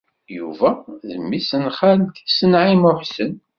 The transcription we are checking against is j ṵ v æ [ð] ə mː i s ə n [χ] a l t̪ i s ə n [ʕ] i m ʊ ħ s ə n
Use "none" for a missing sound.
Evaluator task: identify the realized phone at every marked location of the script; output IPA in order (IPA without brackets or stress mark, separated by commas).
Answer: ð, χ, ʕ